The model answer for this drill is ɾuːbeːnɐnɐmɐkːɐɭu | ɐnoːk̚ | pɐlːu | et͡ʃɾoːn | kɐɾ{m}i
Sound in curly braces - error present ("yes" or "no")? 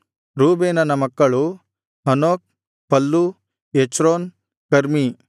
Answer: no